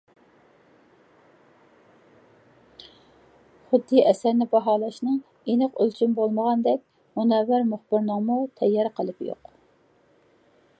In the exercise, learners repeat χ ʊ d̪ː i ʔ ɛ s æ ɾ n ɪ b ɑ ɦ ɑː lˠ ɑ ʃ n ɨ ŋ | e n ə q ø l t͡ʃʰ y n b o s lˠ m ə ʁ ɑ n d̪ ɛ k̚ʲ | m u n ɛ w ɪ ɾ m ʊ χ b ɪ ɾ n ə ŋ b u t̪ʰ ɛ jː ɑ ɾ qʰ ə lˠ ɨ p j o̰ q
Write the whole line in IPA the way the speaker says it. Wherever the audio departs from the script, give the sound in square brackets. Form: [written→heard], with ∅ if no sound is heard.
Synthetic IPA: χ ʊ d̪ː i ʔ ɛ s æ ɾ n ɪ b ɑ ɦ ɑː lˠ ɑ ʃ n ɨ ŋ | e n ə q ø l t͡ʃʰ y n b o [s→∅] lˠ m ə ʁ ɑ n d̪ ɛ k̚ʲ | m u n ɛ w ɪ ɾ m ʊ χ b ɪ ɾ n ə ŋ [b→m] u t̪ʰ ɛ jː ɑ ɾ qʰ ə lˠ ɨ p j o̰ q